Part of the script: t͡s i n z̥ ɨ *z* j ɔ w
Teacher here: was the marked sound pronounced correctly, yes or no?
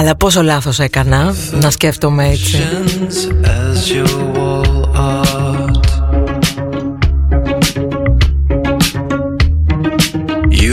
yes